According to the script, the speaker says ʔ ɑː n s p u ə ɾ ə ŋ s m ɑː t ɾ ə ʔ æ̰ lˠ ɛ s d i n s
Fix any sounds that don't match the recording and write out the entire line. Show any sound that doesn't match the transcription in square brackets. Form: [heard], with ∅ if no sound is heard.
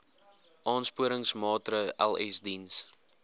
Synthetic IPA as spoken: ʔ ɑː n s p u ə ɾ ə ŋ s m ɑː t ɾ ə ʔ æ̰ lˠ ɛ s d i n s

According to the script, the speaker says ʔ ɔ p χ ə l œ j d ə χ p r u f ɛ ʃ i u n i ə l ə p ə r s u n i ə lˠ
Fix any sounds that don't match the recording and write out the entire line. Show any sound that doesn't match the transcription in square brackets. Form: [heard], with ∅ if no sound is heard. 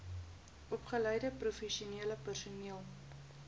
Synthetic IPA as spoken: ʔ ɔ p χ ə l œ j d ə [∅] p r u f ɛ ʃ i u n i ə l ə p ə r s u n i ə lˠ

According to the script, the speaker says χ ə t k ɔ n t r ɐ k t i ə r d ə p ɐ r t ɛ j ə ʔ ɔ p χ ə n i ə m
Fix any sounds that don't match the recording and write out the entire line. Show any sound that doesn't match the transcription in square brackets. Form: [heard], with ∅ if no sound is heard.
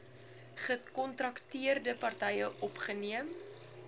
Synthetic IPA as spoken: χ ə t k ɔ n t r ɐ k t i ə r d ə p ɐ r t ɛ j ə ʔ ɔ p χ ə n i ə m

